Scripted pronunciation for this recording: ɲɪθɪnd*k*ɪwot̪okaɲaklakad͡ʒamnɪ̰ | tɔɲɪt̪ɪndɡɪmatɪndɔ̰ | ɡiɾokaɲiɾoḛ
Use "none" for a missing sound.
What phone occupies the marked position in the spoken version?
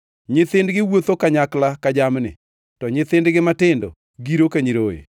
ɡ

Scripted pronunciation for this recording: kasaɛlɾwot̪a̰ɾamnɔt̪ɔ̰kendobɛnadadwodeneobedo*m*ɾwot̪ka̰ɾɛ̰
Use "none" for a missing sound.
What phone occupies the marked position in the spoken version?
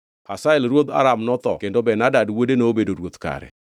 none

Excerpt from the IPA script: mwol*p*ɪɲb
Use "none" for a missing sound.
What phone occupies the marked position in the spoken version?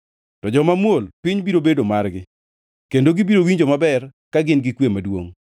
p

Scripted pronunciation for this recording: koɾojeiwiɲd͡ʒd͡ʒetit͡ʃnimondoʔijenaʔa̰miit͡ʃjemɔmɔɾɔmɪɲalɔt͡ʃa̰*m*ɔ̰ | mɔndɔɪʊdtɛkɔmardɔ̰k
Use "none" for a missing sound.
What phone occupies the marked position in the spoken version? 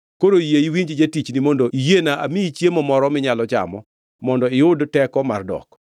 m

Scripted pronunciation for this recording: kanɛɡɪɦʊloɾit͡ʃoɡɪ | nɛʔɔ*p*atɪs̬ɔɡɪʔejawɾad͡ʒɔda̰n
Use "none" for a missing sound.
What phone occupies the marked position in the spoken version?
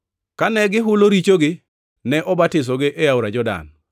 b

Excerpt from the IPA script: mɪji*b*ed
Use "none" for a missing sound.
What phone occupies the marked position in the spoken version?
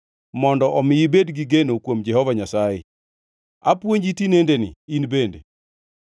b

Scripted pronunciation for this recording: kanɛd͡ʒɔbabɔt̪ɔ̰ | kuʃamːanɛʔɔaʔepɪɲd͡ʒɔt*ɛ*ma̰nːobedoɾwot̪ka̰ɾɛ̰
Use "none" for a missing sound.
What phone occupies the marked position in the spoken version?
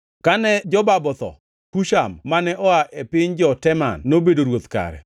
ɛ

